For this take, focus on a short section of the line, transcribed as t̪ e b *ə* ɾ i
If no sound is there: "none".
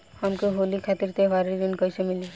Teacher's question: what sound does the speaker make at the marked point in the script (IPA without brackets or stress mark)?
a